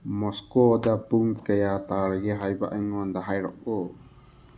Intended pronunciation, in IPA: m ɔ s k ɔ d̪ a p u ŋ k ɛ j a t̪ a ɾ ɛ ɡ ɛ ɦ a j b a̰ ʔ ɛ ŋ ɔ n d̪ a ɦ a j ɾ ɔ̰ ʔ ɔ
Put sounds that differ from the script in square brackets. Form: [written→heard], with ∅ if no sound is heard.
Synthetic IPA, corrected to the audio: m ɔ s k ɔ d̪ a p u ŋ k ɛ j a t̪ a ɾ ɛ ɡ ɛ ɦ a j b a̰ ʔ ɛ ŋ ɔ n d̪ a ɦ a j ɾ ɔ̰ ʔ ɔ